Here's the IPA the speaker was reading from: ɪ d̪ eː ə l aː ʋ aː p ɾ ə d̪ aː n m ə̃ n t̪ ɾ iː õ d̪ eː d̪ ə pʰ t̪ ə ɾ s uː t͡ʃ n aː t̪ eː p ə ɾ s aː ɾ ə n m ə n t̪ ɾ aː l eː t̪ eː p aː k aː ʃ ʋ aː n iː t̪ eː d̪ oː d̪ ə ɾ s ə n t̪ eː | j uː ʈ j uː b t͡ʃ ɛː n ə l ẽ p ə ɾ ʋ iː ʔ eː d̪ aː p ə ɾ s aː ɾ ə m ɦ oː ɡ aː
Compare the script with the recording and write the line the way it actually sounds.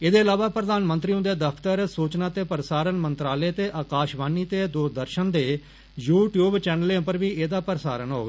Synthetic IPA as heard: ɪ d̪ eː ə l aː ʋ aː p ɾ ə d̪ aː n m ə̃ n t̪ ɾ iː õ d̪ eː d̪ ə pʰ t̪ ə ɾ s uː t͡ʃ n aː t̪ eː p ə ɾ s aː ɾ ə n m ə n t̪ ɾ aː l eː t̪ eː ʔ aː k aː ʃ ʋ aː n iː t̪ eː d̪ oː d̪ ə ɾ ʃ ə n d̪ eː | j uː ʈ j uː b t͡ʃ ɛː n ə l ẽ p ə ɾ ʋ iː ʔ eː d̪ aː p ə ɾ s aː ɾ ə n ɦ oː ɡ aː